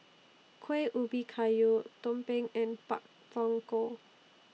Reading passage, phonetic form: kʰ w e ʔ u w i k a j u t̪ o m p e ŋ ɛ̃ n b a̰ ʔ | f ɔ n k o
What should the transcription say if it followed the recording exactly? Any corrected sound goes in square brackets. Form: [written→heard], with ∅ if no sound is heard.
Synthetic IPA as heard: kʰ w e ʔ u [w→b] i [k→kʰ] a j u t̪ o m p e ŋ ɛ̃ n [b→p] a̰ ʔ | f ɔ [n→ŋ] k o